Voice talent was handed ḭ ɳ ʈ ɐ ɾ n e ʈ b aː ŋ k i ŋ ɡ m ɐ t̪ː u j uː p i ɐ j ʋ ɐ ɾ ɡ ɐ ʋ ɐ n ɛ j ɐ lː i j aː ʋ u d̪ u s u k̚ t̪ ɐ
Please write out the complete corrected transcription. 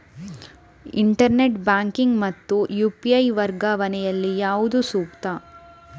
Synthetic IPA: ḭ ɳ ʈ ɐ ɾ n e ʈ b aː ŋ k i ŋ ɡ m ɐ t̪ː u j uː p i ɐ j ʋ ɐ ɾ ɡ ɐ ʋ ɐ n ɛ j ɐ lː i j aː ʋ u d̪ u s uː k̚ t̪ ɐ

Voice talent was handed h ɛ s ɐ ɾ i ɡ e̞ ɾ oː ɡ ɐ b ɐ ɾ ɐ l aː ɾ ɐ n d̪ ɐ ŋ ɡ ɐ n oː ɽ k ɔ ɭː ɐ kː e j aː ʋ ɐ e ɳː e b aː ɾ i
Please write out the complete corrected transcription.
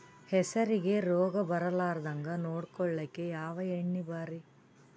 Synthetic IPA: h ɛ s ɐ ɾ i ɡ e̞ ɾ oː ɡ ɐ b ɐ ɾ ɐ l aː ɾ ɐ d̪ ɐ ŋ ɡ ɐ n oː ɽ k ɔ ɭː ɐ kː e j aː ʋ ɐ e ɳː i b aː ɾ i

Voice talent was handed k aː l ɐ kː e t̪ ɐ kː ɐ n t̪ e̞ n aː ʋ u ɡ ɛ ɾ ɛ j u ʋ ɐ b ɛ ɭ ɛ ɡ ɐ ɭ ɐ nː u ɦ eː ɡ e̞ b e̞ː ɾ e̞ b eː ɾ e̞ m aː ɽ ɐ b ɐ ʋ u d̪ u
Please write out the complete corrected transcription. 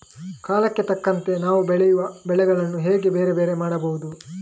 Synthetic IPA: k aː l ɐ kː e t̪ ɐ kː ɐ n t̪ e̞ n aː ʋ u b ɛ ɭ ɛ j u ʋ ɐ b ɛ ɭ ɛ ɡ ɐ ɭ ɐ nː u ɦ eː ɡ e̞ b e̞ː ɾ e̞ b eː ɾ e̞ m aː ɽ ɐ b ɐ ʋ u d̪ u

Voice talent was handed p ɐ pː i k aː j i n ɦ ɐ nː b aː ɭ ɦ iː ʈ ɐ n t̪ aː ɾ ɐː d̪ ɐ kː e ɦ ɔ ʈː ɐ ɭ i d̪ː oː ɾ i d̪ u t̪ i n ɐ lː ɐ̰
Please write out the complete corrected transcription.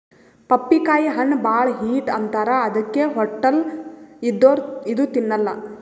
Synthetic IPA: p ɐ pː i k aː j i ɦ ɐ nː b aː ɭ ɦ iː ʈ ɐ n t̪ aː ɾ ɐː d̪ ɐ kː e ɦ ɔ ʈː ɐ l i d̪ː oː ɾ i d̪ u t̪ i nː ɐ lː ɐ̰

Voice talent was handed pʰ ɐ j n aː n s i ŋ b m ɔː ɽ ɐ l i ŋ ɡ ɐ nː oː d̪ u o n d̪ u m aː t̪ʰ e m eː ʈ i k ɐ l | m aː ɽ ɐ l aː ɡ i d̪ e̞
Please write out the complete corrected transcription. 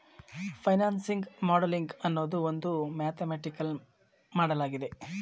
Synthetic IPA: pʰ ɐ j n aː n s i ŋ ɡ m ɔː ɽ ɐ l i ŋ ɡ ɐ nː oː d̪ u o n d̪ u m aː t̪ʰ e m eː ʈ i k ɐ l | m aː ɽ ɐ l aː ɡ i d̪ e̞

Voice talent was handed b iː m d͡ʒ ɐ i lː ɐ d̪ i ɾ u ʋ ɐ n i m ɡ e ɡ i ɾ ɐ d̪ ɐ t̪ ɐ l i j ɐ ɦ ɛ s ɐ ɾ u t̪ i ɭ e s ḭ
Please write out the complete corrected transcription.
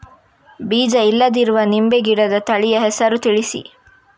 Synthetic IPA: b iː d͡ʒ ɐ i lː ɐ d̪ i ɾ u ʋ ɐ n i m b e ɡ i ɽ ɐ d̪ ɐ t̪ ɐ ɭ i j ɐ ɦ ɛ s ɐ ɾ u t̪ i ɭ i s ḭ

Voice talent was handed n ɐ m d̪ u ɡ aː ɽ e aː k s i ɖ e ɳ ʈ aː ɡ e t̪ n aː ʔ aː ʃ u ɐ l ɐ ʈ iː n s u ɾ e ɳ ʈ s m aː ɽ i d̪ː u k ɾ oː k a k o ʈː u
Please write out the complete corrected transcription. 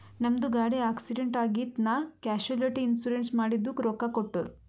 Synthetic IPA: n ɐ m d̪ u ɡ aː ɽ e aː k s i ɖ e ɳ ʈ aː ɡ i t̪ n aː k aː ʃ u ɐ l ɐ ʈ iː n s u ɾ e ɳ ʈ s m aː ɽ i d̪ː u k ɾ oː k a k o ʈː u

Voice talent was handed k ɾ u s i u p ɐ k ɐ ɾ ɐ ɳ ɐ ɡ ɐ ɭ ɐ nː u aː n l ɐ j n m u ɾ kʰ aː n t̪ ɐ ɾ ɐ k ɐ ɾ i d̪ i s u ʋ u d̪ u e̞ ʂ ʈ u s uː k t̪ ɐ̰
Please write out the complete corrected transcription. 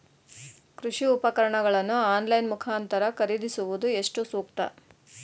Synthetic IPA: k ɾ u ʂ i u p ɐ k ɐ ɾ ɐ ɳ ɐ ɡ ɐ ɭ ɐ nː u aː n l ɐ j n m u kʰ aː n t̪ ɐ ɾ ɐ k ɐ ɾ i d̪ i s u ʋ u d̪ u e̞ ʂ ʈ u s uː k t̪ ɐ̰

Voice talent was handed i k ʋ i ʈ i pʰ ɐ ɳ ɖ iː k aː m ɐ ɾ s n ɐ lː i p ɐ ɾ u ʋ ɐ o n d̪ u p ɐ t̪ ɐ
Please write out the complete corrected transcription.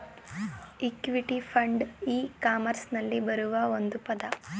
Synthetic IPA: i k ʋ i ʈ i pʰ ɐ ɳ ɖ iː k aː m ɐ ɾ s n ɐ lː i b ɐ ɾ u ʋ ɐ o n d̪ u p ɐ d̪ ɐ

